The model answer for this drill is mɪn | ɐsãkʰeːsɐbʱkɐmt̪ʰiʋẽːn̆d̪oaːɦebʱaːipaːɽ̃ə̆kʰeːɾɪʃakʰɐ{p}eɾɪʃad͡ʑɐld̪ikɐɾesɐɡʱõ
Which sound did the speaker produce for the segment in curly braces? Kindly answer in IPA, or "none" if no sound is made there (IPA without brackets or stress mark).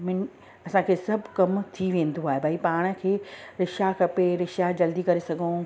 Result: p